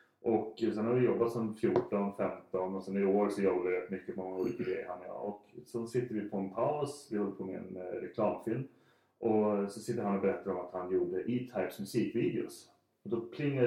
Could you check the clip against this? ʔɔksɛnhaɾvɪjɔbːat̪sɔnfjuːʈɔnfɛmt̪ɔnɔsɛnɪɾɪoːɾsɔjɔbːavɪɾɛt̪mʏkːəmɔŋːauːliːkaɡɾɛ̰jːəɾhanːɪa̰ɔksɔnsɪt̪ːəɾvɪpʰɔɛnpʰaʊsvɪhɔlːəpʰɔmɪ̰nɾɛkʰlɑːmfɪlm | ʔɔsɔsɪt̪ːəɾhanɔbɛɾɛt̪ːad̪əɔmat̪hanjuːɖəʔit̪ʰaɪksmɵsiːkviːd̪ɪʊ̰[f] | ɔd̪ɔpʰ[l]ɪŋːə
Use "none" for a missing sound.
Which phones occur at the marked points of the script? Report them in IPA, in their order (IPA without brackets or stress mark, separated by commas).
s, l